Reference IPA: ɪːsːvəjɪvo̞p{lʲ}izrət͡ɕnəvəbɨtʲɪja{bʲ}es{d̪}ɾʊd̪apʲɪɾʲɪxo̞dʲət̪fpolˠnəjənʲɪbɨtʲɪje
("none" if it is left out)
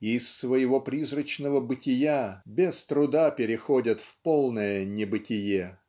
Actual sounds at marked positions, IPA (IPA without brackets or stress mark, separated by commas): ɾʲ, bʲ, t̪